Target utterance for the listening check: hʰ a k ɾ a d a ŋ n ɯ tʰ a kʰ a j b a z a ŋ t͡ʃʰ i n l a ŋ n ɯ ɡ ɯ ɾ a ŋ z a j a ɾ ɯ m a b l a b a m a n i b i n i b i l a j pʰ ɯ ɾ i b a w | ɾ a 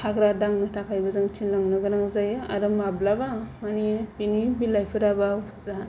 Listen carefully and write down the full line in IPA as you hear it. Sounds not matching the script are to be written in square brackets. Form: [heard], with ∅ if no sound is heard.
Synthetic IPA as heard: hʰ a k ɾ a d a ŋ n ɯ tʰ a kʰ a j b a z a ŋ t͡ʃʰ i n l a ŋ n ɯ ɡ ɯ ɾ a ŋ z a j a ɾ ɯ m a b l a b a m a n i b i n i b i l a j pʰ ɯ ɾ [a] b a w | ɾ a